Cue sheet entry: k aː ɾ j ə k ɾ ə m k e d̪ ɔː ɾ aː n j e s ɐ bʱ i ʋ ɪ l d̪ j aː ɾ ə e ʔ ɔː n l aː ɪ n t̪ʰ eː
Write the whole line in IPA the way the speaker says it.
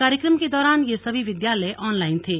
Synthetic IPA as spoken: k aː ɾ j ə k ɾ ə m k e d̪ ɔː ɾ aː n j e s ɐ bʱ i ʋ ɪ d̪ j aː l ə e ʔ ɔː n l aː ɪ n t̪ʰ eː